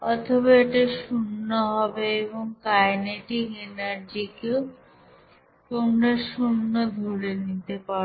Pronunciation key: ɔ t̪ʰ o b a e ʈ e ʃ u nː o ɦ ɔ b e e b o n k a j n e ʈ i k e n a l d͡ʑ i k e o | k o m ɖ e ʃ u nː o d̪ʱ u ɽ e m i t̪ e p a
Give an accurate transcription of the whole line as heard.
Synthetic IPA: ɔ t̪ʰ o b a e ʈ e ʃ u nː o ɦ ɔ b e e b o ŋ k a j n e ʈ i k e n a ɾ d͡ʑ i k e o | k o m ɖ e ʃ u nː o d̪ʱ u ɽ e n i t̪ e p a